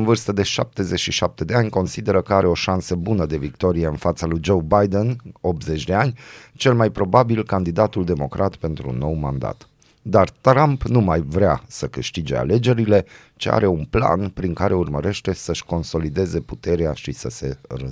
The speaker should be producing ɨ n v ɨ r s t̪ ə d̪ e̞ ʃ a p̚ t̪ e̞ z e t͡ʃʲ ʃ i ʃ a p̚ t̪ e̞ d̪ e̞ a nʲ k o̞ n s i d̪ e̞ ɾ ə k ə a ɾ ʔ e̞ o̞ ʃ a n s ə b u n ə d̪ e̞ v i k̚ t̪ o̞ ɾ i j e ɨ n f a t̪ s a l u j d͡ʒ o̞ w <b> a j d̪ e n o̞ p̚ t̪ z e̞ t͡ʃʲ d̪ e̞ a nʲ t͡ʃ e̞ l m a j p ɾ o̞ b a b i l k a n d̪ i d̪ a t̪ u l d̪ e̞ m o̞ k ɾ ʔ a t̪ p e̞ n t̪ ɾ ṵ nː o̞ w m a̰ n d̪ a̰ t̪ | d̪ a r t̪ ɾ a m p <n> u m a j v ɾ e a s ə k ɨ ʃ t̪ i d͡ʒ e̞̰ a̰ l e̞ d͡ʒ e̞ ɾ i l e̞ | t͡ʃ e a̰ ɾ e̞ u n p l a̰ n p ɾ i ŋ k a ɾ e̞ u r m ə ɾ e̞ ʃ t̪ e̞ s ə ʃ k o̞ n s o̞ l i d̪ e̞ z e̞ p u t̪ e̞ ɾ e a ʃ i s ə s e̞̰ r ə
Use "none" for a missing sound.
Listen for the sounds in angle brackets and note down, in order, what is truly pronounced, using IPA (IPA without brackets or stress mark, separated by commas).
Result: b, n